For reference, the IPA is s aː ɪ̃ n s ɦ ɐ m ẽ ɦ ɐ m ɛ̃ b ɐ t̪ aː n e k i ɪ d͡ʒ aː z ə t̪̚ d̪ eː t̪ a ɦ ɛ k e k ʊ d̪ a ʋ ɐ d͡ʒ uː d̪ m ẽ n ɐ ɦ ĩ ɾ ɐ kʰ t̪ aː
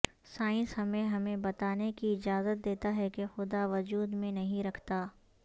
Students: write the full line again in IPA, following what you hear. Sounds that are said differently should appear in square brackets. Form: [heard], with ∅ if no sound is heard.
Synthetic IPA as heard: s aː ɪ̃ n s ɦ ɐ m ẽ ɦ ɐ m [ẽ] b ɐ t̪ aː n e k i ɪ d͡ʒ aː z ə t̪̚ d̪ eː t̪ a ɦ ɛ k e [x] ʊ d̪ a ʋ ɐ d͡ʒ uː d̪ m ẽ n ɐ ɦ ĩ ɾ ɐ kʰ t̪ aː